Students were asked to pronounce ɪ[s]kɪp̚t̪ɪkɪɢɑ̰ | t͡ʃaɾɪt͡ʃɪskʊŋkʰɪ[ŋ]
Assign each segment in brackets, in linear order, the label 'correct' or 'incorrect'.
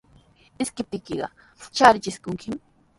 correct, incorrect

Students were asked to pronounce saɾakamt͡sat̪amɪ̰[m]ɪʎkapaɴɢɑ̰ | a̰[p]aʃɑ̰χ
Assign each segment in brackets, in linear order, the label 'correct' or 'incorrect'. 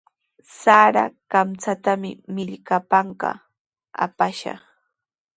correct, correct

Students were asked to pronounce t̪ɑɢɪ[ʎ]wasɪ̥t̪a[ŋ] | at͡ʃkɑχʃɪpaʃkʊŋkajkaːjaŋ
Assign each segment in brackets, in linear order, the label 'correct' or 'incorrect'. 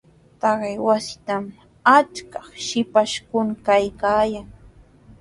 incorrect, incorrect

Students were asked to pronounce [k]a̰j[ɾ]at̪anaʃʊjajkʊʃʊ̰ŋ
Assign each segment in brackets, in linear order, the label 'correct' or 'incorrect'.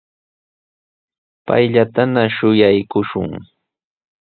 incorrect, incorrect

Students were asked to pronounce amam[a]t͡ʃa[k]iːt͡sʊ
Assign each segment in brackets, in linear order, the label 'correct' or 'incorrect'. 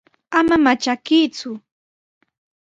correct, correct

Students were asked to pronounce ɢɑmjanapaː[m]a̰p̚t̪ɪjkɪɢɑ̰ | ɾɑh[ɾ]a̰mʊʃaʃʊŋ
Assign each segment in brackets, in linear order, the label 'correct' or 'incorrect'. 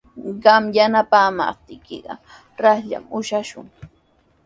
correct, incorrect

